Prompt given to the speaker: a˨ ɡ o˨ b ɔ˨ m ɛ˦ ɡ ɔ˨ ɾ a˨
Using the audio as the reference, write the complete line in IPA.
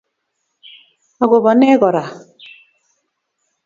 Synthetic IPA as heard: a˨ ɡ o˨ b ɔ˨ n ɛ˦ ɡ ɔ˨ ɾ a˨